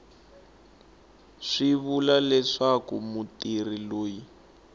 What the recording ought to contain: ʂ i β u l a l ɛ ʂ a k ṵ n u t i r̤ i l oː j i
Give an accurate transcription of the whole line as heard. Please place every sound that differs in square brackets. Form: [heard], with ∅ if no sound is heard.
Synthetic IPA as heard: ʂ i β u l a l ɛ ʂ a k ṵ [m] u t i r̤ i l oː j i